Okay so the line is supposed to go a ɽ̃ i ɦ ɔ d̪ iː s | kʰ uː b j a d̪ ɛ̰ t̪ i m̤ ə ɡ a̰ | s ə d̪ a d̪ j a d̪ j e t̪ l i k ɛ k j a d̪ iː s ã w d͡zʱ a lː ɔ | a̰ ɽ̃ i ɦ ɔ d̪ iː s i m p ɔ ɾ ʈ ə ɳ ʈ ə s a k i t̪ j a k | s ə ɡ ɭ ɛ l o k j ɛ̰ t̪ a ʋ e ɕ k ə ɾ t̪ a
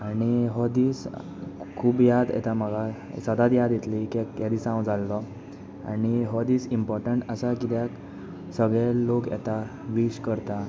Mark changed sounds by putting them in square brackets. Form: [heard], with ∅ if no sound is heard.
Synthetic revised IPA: a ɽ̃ i ɦ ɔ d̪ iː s | kʰ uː b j a d̪ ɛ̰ t̪ [a] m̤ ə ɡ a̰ | s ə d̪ a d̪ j a d̪ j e t̪ l i k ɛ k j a d̪ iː s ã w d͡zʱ a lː ɔ | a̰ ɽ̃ i ɦ ɔ d̪ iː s i m p ɔ ɾ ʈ ə ɳ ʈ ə s a k i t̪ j a k | s ə ɡ ɭ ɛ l o k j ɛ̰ t̪ a ʋ [i] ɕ k ə ɾ t̪ a